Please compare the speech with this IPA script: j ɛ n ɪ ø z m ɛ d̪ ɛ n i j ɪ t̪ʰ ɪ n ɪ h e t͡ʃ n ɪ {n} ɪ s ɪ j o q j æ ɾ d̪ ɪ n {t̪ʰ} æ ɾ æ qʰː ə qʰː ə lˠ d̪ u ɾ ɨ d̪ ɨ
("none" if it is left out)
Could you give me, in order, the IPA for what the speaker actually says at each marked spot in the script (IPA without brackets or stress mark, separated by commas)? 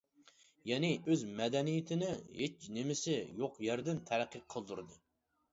m, t̪ʰ